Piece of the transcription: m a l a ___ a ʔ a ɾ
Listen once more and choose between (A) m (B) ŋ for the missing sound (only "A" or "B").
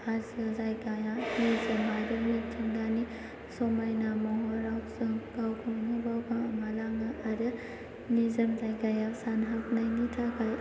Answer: B